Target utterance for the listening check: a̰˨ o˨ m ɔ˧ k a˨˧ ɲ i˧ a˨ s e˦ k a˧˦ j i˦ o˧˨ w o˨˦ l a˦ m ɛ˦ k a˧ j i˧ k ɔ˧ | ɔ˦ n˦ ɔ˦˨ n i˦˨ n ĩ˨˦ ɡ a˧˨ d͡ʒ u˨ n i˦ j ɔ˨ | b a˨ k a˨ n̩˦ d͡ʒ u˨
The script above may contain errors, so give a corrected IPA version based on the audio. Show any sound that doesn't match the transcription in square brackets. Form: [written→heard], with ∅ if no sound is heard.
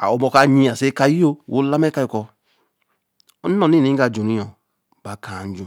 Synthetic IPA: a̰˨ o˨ m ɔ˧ k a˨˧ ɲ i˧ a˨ s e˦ k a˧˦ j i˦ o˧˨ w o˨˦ l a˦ m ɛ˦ k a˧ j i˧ k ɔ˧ | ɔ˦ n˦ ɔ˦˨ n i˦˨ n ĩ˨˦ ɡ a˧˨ d͡ʒ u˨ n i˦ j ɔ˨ | b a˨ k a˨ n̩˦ d͡ʒ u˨